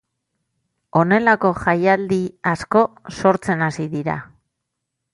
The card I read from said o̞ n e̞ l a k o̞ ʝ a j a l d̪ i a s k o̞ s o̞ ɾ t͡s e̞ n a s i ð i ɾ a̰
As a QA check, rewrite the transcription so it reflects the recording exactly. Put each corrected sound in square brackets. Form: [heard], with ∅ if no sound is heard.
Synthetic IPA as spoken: o̞ n e̞ l a k o̞ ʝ a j a l d̪ i a s k o̞ s o̞ ɾ t͡s e̞ n a s i ð i ɾ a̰